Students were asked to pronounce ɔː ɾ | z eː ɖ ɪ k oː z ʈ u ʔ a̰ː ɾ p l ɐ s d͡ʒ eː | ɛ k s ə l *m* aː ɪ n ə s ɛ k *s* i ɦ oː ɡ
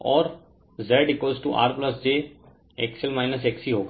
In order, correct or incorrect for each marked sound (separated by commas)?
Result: correct, correct